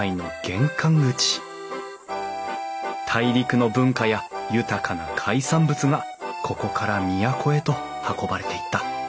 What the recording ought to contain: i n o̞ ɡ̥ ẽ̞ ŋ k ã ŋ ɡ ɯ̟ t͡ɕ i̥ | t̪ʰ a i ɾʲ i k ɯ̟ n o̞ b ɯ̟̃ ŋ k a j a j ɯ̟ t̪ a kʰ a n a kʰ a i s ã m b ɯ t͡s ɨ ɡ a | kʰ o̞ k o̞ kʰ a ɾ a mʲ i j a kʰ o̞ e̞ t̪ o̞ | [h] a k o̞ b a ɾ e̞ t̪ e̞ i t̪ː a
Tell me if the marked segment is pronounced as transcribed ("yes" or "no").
yes